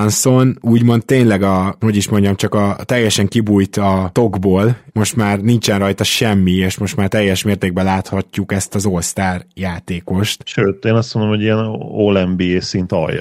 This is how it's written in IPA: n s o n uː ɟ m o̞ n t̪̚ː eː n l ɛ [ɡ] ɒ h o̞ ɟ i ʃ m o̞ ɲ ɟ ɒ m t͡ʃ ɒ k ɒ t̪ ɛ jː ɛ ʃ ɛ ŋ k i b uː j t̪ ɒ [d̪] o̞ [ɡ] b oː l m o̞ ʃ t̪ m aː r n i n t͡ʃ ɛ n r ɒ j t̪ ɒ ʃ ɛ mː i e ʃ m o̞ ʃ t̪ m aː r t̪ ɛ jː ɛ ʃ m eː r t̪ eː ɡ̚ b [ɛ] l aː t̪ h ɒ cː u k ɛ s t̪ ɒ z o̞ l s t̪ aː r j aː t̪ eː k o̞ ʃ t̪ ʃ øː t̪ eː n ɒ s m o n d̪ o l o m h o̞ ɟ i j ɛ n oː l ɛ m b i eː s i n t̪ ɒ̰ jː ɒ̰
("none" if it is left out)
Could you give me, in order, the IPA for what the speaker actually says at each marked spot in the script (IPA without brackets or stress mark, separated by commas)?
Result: ɡ, t̪, ɡ, ɛ